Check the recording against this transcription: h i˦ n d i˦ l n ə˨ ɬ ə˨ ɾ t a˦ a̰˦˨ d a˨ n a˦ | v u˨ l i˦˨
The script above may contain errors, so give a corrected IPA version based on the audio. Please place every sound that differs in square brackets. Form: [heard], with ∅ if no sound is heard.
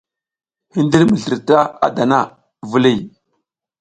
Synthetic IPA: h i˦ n d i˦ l [m] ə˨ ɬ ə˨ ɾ t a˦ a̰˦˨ d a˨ n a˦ | v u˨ l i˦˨